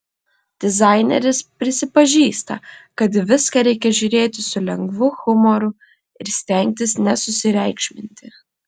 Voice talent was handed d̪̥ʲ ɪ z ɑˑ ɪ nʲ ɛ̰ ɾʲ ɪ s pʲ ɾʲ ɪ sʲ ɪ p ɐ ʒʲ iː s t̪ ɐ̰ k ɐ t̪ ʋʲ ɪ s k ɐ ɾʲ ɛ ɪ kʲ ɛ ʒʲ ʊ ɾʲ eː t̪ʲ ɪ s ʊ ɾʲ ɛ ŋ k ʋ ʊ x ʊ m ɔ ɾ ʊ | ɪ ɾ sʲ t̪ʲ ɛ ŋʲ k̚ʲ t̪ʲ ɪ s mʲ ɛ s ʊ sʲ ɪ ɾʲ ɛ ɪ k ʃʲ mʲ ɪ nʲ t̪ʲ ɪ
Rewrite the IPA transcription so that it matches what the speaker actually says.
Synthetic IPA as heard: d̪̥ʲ ɪ z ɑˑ ɪ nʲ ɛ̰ ɾʲ ɪ s pʲ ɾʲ ɪ sʲ ɪ p ɐ ʒʲ iː s t̪ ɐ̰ k ɐ t̪ ʋʲ ɪ s k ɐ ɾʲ ɛ ɪ kʲ ɛ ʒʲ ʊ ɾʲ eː t̪ʲ ɪ s ʊ lʲ ɛ ŋ ɡ ʋ ʊ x ʊ m ɔ ɾ ʊ | ɪ ɾ sʲ t̪ʲ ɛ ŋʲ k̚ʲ t̪ʲ ɪ s nʲ ɛ s ʊ sʲ ɪ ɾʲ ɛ ɪ k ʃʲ mʲ ɪ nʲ t̪ʲ ɪ